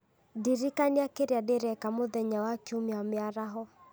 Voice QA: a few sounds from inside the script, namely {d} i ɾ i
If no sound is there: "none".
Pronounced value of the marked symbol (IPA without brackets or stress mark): d